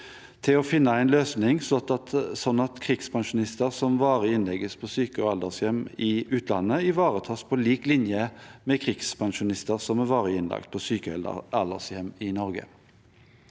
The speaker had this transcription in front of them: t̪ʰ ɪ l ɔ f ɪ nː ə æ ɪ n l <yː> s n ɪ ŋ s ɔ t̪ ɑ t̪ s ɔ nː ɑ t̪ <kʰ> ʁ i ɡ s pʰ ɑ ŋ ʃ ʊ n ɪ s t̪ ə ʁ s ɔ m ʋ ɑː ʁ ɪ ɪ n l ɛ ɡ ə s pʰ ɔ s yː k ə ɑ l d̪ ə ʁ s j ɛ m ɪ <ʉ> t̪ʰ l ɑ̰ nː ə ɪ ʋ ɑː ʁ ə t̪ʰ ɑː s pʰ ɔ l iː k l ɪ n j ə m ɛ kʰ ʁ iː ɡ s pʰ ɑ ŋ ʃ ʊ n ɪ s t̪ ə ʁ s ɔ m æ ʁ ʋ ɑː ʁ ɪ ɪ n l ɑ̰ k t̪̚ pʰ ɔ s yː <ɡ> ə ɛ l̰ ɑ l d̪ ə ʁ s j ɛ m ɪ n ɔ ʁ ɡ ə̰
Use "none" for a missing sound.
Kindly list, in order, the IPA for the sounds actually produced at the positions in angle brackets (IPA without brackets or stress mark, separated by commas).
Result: øː, kʰ, ʉː, k